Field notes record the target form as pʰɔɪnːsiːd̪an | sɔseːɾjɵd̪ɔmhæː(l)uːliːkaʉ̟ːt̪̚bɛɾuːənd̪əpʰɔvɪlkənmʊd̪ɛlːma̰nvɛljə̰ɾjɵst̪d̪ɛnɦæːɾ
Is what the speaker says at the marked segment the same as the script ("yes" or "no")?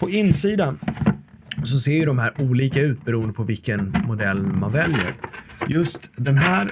no